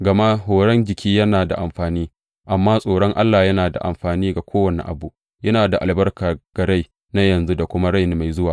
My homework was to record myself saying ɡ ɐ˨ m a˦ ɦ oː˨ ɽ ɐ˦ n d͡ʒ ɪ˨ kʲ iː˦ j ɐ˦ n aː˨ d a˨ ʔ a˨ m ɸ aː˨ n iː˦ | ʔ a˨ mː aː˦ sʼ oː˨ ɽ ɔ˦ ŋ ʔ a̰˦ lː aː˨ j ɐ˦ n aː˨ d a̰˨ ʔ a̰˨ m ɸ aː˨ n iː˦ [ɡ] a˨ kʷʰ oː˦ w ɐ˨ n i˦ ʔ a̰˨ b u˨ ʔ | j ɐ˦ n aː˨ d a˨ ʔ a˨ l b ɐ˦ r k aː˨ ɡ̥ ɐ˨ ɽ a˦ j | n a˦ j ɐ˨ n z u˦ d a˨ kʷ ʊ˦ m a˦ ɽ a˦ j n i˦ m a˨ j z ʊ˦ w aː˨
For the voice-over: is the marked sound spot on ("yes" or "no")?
yes